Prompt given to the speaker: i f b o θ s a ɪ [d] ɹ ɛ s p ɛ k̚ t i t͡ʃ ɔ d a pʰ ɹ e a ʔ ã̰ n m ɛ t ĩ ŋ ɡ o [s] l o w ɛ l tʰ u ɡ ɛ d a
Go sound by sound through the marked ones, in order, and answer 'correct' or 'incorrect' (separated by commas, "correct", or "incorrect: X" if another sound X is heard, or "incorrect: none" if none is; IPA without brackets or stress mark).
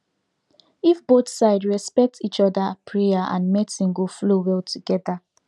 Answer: correct, incorrect: f